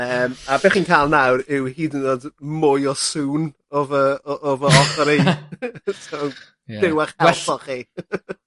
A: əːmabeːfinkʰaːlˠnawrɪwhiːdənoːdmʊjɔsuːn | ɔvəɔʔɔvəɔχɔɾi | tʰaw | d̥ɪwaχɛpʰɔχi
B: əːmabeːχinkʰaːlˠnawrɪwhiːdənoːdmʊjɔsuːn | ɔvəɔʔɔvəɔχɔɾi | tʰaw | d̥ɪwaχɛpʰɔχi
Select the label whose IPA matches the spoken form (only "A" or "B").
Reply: B